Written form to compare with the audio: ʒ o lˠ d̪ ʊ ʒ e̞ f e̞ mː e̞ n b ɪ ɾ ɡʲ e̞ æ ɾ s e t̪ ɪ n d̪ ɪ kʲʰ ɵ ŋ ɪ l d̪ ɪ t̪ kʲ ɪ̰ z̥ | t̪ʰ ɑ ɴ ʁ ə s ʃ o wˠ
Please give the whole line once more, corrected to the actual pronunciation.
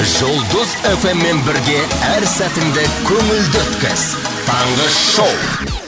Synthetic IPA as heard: ʒ o lˠ d̪ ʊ z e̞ f e̞ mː e̞ n b ɪ ɾ ɡʲ e̞ æ ɾ s æ t̪ ɪ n d̪ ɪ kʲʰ ɵ ŋ ɪ l d̪ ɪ t̪ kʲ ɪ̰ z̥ | t̪ʰ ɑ ɴ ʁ ə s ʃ o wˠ